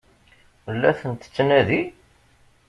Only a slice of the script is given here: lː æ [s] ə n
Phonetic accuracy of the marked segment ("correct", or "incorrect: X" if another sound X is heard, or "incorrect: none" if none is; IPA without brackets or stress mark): incorrect: θ